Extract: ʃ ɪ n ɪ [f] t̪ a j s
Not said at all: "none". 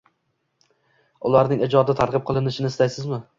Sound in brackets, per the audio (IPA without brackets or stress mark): s